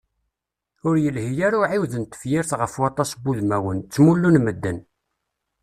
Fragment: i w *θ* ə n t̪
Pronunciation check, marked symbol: incorrect: ð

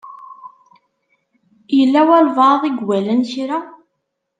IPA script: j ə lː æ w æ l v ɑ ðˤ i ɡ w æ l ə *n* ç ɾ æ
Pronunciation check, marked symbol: correct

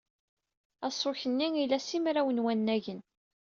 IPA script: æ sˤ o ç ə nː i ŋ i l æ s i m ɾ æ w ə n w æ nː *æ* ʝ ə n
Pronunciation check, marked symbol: correct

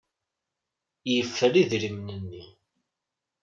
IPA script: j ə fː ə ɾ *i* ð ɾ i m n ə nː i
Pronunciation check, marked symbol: correct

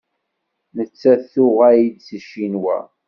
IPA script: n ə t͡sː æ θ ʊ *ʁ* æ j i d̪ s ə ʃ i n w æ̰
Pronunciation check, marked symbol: correct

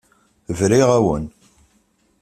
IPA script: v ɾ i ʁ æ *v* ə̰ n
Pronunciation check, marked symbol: incorrect: w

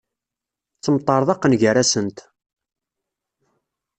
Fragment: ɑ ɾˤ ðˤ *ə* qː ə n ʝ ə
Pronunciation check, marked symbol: incorrect: ɑ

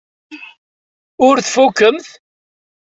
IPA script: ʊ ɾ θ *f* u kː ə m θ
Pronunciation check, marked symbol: correct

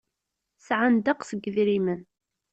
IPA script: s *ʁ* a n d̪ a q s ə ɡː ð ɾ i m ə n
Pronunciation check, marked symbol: incorrect: ʕ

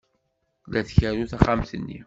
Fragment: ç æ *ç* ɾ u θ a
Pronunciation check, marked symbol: incorrect: none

